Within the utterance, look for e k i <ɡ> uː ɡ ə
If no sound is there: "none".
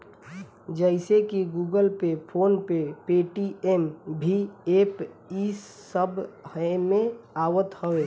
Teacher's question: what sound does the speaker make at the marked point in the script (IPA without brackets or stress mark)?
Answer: ɡ